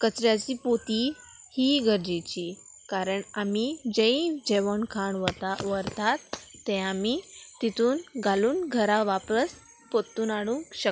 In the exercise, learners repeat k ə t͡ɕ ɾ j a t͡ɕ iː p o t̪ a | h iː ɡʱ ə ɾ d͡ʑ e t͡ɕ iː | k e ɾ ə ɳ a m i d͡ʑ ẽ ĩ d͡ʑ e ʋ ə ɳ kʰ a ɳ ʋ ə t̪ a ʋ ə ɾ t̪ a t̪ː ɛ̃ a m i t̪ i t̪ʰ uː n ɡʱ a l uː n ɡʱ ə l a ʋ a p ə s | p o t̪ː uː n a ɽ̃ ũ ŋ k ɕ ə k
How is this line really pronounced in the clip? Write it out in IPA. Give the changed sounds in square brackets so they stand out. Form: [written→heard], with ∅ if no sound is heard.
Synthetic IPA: k ə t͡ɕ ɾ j a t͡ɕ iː p o t̪ [a→i] | h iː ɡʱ ə ɾ d͡ʑ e t͡ɕ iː | k [e→a] ɾ ə ɳ a m i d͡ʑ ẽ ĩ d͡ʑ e ʋ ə ɳ kʰ a ɳ ʋ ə t̪ a ʋ ə ɾ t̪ a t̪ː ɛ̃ a m i t̪ i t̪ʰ uː n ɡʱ a l uː n ɡʱ ə [l→ɾ] a ʋ a p ə s | p o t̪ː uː n a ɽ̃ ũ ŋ k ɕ ə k